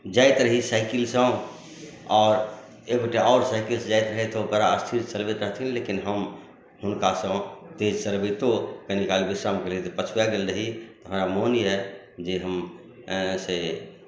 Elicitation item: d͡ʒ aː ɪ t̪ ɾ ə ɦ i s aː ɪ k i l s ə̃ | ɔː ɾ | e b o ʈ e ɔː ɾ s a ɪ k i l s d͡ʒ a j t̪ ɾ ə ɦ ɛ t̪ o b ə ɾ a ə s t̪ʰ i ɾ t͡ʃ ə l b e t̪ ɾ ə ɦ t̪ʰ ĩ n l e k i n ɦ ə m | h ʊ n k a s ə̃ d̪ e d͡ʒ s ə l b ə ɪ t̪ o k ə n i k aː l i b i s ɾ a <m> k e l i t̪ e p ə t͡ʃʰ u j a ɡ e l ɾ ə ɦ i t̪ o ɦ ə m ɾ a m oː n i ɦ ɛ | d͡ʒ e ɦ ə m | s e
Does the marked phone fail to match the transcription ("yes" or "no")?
no